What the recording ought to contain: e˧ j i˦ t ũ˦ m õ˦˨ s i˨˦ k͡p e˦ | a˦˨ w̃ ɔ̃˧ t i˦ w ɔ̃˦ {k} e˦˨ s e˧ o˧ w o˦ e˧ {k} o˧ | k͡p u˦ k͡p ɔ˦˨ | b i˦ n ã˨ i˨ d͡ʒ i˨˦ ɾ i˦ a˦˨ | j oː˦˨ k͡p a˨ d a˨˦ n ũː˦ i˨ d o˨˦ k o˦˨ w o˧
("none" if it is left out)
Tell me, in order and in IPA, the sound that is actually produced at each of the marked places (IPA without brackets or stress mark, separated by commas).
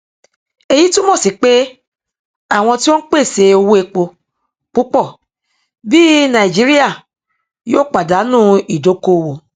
k͡p, k͡p